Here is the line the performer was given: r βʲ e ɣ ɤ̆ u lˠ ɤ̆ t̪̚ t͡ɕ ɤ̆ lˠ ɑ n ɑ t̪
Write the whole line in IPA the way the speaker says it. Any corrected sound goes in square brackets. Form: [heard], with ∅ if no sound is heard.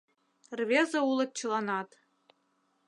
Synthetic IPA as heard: r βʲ e [z] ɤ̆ u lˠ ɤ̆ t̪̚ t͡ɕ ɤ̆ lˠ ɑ n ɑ t̪